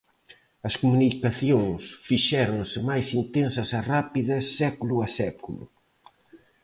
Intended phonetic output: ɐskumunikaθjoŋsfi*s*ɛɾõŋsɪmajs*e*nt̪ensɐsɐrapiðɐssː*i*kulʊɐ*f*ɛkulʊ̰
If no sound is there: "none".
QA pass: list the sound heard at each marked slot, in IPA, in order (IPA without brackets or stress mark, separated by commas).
ʃ, i, ɛ, s